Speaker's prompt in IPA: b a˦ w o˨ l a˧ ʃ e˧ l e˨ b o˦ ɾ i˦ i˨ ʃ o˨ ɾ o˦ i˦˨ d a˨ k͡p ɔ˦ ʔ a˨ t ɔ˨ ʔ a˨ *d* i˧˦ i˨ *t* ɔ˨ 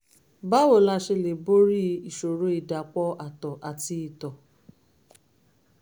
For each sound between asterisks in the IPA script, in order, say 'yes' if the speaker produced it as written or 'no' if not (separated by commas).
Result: no, yes